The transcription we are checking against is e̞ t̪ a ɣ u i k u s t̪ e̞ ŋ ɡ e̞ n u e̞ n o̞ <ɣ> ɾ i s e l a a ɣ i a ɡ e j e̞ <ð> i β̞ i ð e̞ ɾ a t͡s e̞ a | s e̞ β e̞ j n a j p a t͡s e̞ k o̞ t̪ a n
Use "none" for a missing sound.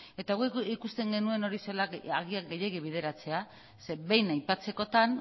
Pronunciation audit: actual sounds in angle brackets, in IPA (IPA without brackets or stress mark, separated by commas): none, ɣ